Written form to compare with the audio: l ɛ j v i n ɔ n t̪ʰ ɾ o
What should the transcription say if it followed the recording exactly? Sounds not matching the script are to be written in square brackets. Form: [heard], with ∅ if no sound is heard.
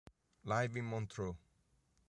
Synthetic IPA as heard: l [a] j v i [m] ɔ n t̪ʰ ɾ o